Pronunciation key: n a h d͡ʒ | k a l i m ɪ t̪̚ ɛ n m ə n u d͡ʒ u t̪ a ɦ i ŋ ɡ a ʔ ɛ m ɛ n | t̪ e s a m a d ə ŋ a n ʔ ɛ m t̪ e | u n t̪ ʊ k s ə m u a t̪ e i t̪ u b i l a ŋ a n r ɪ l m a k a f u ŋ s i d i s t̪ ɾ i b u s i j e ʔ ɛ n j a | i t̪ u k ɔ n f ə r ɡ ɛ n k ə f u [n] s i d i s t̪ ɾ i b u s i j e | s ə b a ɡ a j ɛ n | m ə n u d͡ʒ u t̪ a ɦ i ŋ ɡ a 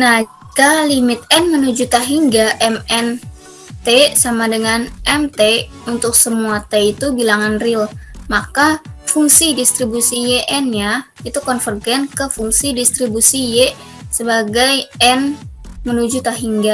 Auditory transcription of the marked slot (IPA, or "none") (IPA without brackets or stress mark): ŋ